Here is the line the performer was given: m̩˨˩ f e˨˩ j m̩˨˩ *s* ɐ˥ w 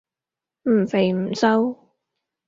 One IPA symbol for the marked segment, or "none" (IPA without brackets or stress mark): s